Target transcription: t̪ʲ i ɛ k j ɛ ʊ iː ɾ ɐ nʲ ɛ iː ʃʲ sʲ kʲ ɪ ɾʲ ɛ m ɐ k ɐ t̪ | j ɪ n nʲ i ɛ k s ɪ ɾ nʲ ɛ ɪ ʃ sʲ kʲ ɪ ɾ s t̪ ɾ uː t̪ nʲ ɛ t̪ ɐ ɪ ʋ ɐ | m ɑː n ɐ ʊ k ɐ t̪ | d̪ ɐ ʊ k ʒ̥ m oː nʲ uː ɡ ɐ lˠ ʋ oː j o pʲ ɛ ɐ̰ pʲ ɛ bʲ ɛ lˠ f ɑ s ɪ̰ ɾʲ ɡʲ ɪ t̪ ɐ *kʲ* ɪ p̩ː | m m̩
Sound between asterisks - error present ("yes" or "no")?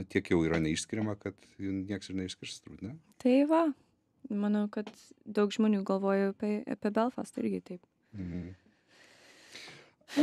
yes